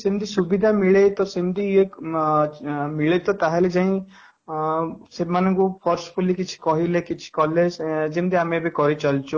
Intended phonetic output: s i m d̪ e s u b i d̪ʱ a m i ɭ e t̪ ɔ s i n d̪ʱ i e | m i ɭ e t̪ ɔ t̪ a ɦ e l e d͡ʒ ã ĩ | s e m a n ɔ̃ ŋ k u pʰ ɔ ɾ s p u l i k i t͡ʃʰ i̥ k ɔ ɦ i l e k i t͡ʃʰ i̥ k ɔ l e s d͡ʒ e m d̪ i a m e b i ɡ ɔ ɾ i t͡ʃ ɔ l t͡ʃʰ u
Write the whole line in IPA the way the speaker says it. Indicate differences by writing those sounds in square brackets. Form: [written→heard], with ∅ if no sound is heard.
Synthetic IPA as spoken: s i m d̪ [e→i] s u b i d̪ʱ a m i ɭ e t̪ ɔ s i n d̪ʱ i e | m i ɭ e t̪ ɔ t̪ a ɦ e l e d͡ʒ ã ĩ | s e m a n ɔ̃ ŋ k u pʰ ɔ ɾ s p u l i k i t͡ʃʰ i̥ k ɔ ɦ i l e k i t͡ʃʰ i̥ k ɔ l e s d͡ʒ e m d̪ i a m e b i [ɡ→k] ɔ ɾ i t͡ʃ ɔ l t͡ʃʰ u